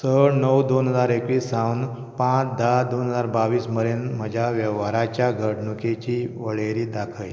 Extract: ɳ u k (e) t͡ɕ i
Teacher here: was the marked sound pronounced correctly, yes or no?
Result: yes